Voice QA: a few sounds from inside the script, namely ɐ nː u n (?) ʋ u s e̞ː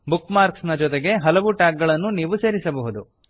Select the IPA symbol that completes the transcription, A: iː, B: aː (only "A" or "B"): A